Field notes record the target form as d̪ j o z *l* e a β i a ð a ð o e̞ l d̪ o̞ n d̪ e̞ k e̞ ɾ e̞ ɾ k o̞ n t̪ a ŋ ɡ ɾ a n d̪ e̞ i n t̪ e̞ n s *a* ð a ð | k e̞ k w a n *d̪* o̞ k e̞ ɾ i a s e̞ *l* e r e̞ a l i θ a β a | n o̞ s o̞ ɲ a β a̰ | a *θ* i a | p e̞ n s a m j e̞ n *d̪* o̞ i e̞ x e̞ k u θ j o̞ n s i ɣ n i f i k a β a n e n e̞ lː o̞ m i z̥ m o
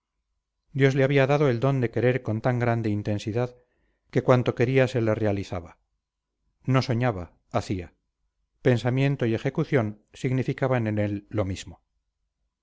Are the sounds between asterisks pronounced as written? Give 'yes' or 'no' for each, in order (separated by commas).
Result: yes, no, no, yes, yes, no